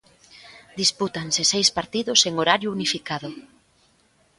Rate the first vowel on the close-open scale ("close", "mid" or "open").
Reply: close